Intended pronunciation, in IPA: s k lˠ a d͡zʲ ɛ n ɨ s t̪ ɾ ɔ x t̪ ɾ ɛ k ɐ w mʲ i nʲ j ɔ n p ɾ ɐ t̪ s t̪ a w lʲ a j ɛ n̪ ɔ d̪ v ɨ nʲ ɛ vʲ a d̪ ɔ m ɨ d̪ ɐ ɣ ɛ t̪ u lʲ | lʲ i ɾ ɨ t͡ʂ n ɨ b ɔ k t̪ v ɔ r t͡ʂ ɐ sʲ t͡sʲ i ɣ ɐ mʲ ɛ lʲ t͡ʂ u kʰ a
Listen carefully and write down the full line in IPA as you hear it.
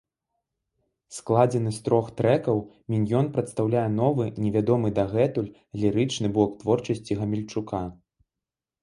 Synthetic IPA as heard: s k lˠ a d͡zʲ ɛ n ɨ s t̪ ɾ ɔ x t̪ ɾ ɛ k ɐ w mʲ i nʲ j ɔ n p ɾ ɐ t̪ s t̪ a w lʲ a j ɛ n̪ ɔ v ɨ nʲ ɛ vʲ a d̪ ɔ m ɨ d̪ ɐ ɣ ɛ t̪ u lʲ | lʲ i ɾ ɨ t͡ʂ n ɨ b ɔ k t̪ v ɔ r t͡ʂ ɐ sʲ t͡sʲ i ɣ ɐ mʲ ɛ lʲ t͡ʂ u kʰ a